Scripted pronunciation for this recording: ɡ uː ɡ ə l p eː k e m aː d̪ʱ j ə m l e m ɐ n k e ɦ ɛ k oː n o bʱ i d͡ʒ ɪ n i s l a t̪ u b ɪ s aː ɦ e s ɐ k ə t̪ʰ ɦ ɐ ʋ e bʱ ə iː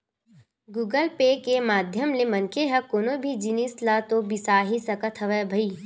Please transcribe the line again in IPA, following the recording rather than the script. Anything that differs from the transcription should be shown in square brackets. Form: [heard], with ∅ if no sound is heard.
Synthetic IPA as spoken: ɡ uː ɡ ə l p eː k e m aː d̪ʱ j ə m l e m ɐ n k e ɦ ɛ k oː n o bʱ i d͡ʒ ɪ n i s l a t̪ [o] b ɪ s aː ɦ [i] s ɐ k ə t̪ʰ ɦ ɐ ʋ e bʱ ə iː